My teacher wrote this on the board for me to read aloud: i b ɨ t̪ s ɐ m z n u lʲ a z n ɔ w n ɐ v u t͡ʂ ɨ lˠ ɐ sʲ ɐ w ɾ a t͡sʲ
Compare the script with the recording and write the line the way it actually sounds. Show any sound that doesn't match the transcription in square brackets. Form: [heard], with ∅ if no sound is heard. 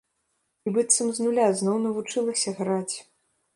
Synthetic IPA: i b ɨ t̪ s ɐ m z n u lʲ a z n ɔ w n ɐ v u t͡ʂ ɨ lˠ ɐ sʲ ɐ [ɣ] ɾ a t͡sʲ